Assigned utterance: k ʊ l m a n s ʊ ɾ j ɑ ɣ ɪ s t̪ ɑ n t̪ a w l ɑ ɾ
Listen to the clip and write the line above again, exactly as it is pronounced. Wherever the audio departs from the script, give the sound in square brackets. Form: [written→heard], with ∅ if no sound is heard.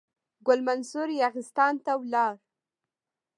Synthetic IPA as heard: [k→ɡ] ʊ l m a n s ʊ ɾ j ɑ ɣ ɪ s t̪ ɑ n t̪ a w l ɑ ɾ